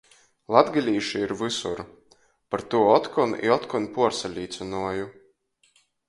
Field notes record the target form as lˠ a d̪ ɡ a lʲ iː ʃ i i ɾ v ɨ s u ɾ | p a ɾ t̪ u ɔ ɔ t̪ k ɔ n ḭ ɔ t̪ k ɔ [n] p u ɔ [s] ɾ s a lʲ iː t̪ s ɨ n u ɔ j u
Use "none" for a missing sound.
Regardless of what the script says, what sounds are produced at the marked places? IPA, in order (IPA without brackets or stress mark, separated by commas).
n, none